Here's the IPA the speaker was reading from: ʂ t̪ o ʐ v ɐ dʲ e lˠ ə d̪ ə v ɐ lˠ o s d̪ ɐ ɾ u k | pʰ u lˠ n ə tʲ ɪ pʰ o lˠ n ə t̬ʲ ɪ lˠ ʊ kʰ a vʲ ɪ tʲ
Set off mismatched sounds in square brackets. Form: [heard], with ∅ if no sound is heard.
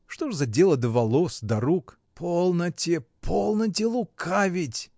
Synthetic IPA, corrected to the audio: ʂ t̪ o ʐ [z] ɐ dʲ e lˠ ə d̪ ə v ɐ lˠ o s d̪ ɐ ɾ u k | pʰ [o] lˠ n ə tʲ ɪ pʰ o lˠ n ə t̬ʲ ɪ lˠ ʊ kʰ a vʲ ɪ tʲ